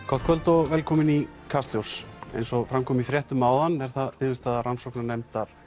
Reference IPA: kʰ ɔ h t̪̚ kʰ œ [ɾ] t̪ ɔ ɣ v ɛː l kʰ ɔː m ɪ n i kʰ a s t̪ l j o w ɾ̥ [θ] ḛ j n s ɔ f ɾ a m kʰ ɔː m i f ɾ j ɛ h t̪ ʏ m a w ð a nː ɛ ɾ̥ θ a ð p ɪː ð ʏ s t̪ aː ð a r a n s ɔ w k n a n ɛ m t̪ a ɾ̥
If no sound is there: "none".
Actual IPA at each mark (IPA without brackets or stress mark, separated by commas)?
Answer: l, s